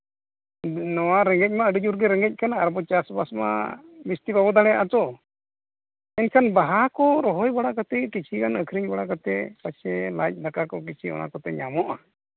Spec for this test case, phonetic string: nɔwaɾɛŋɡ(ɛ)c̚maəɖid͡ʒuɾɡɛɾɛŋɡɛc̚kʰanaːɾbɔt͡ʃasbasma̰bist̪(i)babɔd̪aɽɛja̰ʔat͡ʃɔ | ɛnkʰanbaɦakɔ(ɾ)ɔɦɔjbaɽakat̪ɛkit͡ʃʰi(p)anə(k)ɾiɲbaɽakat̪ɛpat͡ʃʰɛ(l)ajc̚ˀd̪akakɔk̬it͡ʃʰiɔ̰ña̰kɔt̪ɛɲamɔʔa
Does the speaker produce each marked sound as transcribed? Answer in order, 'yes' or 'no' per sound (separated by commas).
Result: yes, yes, yes, no, no, yes